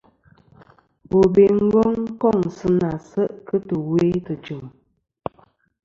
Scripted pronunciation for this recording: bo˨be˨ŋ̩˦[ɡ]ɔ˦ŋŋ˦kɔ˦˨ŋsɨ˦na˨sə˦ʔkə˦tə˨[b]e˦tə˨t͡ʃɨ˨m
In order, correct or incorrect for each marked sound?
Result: correct, incorrect

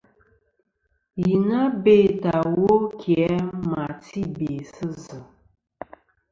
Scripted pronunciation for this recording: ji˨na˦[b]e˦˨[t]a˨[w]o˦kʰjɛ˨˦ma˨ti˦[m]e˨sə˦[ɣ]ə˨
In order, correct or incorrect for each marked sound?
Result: correct, correct, correct, incorrect, incorrect

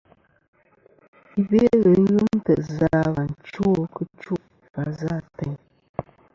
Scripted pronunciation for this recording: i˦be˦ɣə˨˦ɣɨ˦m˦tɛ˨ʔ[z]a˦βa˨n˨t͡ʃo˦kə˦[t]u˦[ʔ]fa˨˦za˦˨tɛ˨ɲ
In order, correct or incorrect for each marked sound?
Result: correct, incorrect, correct

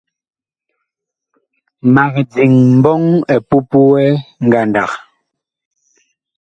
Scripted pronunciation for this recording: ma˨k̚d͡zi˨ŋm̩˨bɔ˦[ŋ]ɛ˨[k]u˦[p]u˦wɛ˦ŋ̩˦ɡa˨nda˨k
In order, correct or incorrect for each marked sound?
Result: correct, incorrect, correct

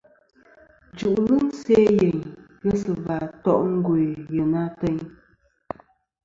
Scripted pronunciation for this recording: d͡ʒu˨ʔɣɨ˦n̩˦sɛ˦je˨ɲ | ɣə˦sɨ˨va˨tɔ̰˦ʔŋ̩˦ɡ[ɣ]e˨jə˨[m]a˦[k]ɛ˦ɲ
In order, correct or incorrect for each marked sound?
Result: incorrect, incorrect, incorrect

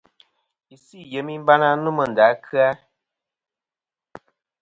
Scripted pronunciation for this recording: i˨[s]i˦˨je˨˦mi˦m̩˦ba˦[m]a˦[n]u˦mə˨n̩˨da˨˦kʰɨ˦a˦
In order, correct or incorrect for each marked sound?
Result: correct, incorrect, correct

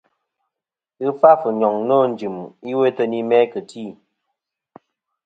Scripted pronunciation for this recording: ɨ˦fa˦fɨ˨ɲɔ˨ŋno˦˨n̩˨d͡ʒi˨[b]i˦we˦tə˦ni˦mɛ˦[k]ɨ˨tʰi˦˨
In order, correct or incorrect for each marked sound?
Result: incorrect, correct

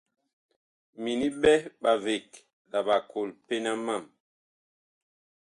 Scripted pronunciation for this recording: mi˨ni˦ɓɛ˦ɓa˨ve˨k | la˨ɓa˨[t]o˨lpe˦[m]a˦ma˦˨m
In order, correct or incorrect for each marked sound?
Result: incorrect, incorrect

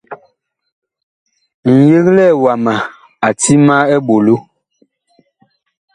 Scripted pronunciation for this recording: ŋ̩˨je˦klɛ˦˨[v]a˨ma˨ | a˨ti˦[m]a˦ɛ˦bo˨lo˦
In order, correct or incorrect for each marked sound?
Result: incorrect, correct

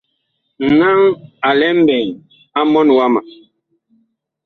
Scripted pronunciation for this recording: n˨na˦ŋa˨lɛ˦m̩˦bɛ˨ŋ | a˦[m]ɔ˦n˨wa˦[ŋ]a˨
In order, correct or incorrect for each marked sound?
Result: correct, incorrect

